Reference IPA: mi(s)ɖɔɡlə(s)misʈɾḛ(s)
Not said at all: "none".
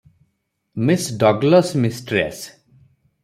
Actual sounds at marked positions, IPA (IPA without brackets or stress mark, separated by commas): s, s, s